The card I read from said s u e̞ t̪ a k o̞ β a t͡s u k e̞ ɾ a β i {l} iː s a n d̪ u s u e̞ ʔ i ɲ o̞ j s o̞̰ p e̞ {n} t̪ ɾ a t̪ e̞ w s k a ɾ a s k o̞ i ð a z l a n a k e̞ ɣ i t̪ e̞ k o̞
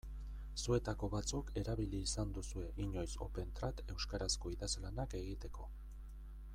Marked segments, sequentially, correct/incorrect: correct, correct

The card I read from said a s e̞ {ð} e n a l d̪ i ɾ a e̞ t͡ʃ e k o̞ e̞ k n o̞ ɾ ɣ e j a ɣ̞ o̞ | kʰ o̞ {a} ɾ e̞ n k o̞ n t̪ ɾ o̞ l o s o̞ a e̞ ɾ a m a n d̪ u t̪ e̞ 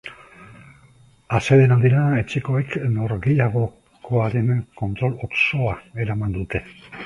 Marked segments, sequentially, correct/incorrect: correct, correct

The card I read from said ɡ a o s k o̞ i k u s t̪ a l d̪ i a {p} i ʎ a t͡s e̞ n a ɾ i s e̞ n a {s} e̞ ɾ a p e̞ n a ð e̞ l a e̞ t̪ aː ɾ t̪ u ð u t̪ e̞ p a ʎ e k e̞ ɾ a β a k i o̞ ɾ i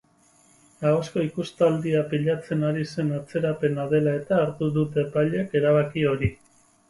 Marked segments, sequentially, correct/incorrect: correct, incorrect: t͡s

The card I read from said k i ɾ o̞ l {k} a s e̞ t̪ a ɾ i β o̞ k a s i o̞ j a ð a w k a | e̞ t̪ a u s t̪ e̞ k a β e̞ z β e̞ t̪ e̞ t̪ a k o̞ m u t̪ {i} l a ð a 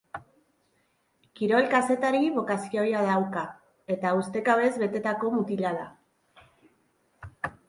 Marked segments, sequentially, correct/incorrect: correct, correct

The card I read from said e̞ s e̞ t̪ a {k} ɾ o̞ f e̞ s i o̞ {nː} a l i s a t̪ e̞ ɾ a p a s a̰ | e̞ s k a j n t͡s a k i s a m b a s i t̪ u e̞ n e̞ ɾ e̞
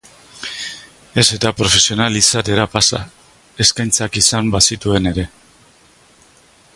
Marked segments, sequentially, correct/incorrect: incorrect: p, incorrect: n

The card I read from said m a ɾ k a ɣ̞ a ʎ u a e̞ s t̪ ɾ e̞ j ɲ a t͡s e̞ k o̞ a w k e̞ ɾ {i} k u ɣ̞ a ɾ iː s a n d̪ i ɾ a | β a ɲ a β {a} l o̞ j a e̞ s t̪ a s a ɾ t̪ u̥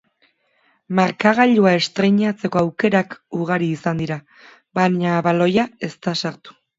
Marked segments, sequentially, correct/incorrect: incorrect: a, correct

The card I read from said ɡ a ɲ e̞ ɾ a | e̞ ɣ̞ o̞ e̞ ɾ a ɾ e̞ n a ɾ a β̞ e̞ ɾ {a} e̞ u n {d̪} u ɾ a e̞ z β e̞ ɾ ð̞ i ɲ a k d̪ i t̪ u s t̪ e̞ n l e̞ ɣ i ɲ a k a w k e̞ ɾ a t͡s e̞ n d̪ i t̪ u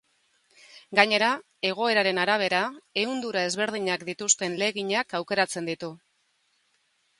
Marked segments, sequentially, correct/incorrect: correct, correct

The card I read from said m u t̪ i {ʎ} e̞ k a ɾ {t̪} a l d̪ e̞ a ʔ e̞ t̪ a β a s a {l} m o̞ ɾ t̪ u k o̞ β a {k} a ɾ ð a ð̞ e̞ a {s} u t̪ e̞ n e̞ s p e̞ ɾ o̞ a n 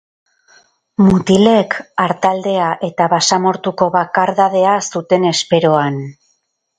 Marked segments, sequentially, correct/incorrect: incorrect: l, correct, incorrect: none, correct, correct

